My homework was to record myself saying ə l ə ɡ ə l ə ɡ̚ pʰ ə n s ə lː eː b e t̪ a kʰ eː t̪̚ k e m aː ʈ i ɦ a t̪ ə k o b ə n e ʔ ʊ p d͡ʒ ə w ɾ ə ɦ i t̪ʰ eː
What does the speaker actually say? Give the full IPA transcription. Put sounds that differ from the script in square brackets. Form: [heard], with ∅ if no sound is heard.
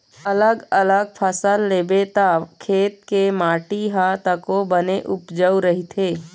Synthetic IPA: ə l ə ɡ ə l ə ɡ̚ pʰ ə [∅] s ə lː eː b e t̪ a kʰ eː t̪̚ k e m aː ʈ i ɦ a t̪ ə k o b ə n e ʔ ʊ p d͡ʒ ə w ɾ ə ɦ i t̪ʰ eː